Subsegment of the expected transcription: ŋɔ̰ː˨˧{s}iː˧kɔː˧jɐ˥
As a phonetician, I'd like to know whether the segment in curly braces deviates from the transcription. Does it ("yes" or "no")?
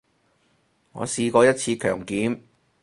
no